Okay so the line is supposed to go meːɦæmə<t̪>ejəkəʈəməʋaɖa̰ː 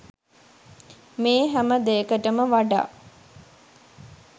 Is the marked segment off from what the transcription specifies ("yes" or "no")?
yes